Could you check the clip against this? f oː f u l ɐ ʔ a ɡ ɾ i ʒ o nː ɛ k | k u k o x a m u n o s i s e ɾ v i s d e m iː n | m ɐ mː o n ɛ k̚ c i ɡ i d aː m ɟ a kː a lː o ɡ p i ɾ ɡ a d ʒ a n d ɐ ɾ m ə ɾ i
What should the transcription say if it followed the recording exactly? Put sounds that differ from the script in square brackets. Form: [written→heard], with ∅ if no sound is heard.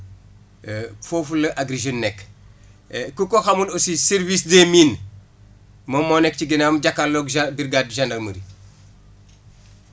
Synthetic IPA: f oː f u l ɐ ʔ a ɡ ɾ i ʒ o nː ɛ k | k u k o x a m u n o s i s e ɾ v i s d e m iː n | m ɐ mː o n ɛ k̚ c i ɡ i [d→n] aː m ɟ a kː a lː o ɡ [p→b] i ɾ ɡ a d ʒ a n d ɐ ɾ m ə ɾ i